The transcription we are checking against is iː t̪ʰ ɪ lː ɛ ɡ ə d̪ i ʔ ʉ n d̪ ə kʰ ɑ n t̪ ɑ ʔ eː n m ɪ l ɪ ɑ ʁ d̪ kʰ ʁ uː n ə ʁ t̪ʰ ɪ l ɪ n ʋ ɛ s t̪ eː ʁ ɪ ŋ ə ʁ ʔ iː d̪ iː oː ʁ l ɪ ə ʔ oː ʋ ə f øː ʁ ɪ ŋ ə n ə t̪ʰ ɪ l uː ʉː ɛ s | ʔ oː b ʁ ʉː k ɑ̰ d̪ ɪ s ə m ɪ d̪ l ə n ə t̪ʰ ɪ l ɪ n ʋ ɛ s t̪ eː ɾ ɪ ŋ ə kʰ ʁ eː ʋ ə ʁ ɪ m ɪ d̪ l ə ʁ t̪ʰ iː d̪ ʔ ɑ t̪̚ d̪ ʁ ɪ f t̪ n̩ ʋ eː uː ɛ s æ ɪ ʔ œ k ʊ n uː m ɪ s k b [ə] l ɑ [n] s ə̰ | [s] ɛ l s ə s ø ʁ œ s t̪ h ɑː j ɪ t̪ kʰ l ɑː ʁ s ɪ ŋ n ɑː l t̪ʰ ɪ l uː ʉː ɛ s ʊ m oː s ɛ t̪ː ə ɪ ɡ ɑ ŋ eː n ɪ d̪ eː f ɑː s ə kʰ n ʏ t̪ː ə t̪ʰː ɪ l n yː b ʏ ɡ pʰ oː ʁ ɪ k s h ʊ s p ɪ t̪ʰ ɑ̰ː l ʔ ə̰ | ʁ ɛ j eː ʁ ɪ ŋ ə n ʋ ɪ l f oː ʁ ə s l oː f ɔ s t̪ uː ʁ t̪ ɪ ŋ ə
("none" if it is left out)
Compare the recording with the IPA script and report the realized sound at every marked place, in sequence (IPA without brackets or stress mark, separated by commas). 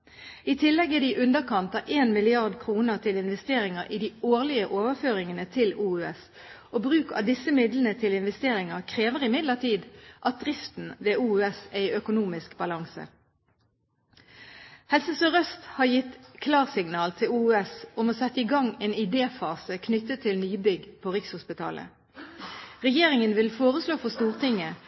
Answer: ɑ, ŋ, h